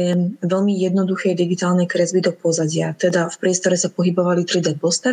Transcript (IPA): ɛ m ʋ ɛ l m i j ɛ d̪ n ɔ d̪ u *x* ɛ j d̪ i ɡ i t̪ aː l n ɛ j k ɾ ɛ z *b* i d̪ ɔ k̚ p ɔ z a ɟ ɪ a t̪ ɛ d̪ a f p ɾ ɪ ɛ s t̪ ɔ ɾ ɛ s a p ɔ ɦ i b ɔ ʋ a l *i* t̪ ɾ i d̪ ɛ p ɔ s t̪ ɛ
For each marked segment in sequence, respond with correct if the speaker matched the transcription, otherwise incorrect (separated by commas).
correct, correct, correct